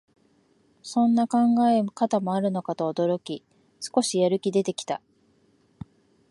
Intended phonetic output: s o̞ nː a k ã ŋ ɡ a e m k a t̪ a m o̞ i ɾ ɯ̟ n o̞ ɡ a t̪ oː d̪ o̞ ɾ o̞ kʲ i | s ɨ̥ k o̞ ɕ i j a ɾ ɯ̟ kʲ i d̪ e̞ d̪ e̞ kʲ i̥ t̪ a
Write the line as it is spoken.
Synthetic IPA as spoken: s õ̞ nː a k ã ŋ ɡ a e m k a t̪ a m o̞ a ɾ ɯ̟ n o̞ k a t̪ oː d̪ o̞ ɾ o̞ kʲ i | s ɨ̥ k o̞ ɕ i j a ɾ ɯ̟ kʲ i d̪ e̞ t̪ e̞ kʲ i̥ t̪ a